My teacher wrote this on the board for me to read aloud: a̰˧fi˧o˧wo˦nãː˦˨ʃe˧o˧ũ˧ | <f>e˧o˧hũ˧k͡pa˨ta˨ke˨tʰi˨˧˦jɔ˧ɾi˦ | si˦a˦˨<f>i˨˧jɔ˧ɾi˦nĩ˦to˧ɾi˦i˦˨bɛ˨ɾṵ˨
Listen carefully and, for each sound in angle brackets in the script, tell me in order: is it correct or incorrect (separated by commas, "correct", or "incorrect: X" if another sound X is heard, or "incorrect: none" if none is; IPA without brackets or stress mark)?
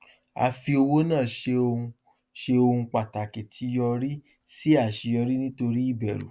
incorrect: ʃ, incorrect: ʃ